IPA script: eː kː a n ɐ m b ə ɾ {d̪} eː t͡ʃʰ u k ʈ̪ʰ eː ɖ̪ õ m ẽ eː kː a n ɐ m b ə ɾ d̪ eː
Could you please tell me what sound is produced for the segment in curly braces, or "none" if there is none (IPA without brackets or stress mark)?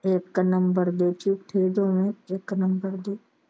d̪